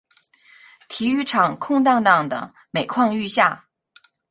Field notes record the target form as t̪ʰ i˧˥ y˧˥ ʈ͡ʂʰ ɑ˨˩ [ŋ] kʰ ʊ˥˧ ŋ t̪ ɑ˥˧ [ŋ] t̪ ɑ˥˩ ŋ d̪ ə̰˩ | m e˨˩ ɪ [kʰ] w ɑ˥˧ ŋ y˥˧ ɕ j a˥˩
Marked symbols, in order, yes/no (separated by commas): yes, yes, yes